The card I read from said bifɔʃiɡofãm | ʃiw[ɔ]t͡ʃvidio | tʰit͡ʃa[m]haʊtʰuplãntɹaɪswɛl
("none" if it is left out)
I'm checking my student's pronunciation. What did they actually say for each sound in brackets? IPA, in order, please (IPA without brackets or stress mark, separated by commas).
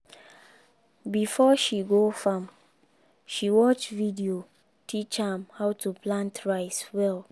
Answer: ɔ, m